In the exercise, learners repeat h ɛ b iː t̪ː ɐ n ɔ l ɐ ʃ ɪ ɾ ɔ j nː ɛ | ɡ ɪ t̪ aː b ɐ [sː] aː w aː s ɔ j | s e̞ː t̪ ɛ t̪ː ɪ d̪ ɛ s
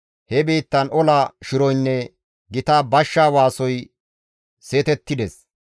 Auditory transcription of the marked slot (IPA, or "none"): ʃː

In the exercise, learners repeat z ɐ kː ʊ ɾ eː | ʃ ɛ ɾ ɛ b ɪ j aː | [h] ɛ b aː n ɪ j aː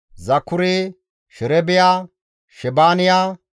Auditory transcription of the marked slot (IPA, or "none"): ʃ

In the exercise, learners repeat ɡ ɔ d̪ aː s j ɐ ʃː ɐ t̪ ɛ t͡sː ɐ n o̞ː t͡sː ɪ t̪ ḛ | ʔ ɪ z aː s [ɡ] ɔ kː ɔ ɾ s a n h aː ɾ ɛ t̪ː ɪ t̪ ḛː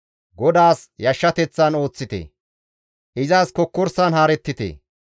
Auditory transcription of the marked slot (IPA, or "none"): k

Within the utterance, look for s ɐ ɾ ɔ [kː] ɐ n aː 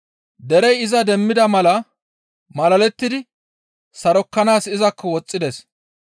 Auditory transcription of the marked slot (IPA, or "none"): kː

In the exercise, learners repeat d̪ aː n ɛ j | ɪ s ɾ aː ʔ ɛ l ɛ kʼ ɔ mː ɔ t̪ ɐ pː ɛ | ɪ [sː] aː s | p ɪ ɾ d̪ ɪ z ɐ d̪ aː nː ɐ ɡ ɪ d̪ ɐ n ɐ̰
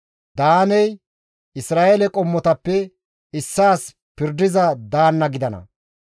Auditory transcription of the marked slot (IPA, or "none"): sː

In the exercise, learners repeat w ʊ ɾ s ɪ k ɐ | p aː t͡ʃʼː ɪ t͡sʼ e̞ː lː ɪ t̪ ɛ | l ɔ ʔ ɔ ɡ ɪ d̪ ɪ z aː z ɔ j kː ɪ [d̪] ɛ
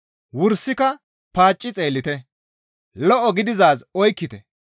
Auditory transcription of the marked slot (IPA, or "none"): t̪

